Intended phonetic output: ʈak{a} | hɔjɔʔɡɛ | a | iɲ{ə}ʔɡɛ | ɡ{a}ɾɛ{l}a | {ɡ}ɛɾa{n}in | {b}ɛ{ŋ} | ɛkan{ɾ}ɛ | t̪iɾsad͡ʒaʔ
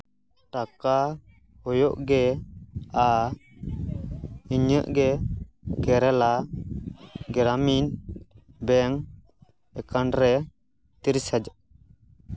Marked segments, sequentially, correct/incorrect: correct, correct, incorrect: ɛ, correct, correct, incorrect: m, correct, correct, correct

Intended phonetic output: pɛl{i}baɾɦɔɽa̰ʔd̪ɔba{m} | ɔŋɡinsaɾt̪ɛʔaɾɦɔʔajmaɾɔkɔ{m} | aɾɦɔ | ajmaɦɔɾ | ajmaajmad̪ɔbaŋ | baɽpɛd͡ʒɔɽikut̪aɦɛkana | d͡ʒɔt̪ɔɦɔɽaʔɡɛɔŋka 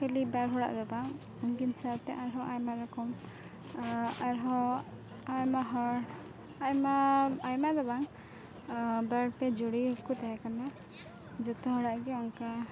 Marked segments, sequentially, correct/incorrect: correct, incorrect: ŋ, correct

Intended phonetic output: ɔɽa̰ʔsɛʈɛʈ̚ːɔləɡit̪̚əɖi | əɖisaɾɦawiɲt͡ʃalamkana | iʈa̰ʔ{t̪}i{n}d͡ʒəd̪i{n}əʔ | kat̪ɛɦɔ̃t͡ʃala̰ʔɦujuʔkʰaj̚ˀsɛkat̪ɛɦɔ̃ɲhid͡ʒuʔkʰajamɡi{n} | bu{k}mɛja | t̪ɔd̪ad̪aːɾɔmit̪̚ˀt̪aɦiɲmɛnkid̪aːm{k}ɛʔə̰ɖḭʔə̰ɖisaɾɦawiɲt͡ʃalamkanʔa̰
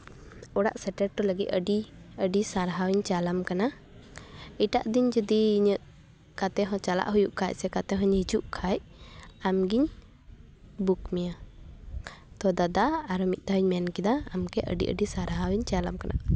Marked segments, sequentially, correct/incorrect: incorrect: d̪, incorrect: ɲ, incorrect: ɲ, incorrect: ɲ, correct, correct

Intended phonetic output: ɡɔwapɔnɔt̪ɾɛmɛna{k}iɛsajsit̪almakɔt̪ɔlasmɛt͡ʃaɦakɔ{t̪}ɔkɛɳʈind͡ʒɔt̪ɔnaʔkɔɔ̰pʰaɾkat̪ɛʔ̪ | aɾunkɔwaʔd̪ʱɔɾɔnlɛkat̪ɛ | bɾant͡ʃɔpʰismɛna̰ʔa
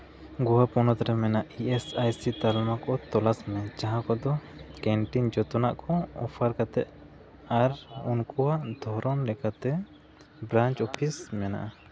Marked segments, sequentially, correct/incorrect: incorrect: ʔ, incorrect: d̪

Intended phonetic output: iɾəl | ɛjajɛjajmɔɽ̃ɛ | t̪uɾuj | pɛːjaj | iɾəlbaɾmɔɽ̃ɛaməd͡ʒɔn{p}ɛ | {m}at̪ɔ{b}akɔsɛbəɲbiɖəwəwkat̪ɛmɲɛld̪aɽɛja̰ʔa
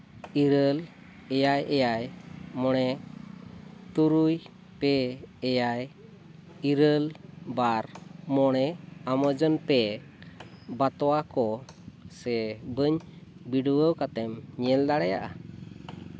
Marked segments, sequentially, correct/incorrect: correct, incorrect: b, incorrect: w

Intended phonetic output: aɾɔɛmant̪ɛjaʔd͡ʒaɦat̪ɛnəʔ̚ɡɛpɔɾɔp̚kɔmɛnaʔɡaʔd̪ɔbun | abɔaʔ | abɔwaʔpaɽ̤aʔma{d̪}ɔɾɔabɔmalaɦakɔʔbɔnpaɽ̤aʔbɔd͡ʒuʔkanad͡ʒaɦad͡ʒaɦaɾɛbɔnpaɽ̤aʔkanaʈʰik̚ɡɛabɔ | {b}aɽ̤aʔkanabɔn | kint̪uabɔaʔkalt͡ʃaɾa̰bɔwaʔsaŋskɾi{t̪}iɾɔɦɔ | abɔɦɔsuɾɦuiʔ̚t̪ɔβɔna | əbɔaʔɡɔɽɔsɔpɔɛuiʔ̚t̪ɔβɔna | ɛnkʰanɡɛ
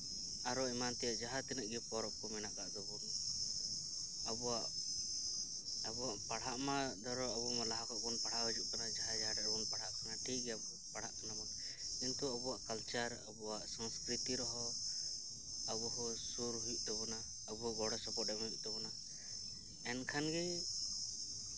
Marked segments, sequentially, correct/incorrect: correct, incorrect: p, correct

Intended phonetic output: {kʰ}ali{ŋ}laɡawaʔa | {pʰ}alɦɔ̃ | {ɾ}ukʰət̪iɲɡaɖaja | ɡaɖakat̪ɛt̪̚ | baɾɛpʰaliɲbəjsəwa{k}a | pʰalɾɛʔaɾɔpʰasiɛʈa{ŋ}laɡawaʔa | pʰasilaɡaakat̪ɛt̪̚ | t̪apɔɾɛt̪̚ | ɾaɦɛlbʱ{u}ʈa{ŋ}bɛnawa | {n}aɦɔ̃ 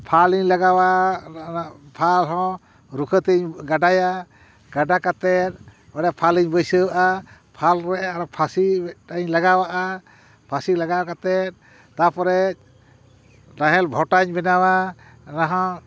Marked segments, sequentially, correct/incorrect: incorrect: pʰ, incorrect: ɲ, correct, correct, incorrect: ʔ, incorrect: ɲ, incorrect: ɔ, incorrect: ɲ, correct

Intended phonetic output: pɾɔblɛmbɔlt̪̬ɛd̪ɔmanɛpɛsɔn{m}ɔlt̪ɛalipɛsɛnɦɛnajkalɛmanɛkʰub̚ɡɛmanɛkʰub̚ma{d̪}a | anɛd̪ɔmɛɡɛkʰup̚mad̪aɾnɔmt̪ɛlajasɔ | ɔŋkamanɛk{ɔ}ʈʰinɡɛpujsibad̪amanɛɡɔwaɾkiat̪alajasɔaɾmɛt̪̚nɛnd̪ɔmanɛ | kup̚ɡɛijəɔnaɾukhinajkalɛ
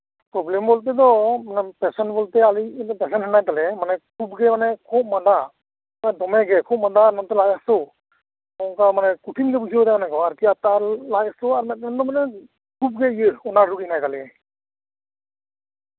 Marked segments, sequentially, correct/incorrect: incorrect: b, correct, incorrect: u

